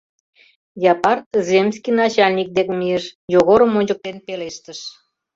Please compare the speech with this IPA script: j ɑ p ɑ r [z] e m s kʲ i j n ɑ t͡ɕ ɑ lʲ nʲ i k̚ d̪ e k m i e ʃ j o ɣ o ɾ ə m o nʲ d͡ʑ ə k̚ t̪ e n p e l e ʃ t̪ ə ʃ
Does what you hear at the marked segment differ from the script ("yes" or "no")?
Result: no